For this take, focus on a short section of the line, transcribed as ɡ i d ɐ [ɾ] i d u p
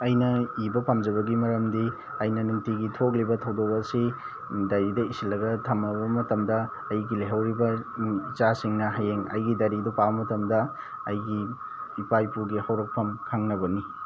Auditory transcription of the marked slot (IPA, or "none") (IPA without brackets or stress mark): ɾ